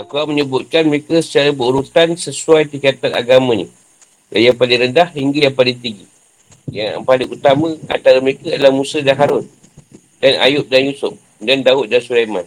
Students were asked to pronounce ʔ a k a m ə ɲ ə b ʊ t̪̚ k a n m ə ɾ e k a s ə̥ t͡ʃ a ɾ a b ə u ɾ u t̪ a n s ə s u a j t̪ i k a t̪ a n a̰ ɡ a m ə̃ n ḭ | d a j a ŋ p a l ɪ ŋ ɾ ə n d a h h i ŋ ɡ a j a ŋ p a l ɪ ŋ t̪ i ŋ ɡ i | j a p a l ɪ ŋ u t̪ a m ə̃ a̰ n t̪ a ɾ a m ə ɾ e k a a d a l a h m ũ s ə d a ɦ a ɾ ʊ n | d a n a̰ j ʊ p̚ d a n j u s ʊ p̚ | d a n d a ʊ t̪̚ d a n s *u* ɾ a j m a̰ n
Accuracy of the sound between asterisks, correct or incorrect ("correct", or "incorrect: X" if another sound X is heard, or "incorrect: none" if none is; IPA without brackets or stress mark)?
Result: correct